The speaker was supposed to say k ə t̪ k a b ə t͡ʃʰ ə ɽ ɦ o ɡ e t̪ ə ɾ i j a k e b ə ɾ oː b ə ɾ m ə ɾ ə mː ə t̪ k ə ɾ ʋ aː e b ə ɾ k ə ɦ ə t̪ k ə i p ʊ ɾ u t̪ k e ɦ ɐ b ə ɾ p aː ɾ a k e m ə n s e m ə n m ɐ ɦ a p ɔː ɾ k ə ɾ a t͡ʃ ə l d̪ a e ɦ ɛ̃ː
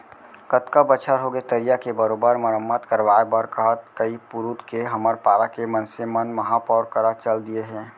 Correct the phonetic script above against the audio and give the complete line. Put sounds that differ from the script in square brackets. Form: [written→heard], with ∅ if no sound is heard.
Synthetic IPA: k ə t̪ k a b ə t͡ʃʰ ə [ɽ→ɾ] ɦ o ɡ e t̪ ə ɾ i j a k e b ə ɾ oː b ə ɾ m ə ɾ ə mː ə t̪ k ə ɾ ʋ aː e b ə ɾ k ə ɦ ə t̪ k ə i p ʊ ɾ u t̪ k e ɦ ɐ [b→m] ə ɾ p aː ɾ a k e m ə n s e m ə n m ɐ ɦ a p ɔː ɾ k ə ɾ a t͡ʃ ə l d̪ [a→i] e ɦ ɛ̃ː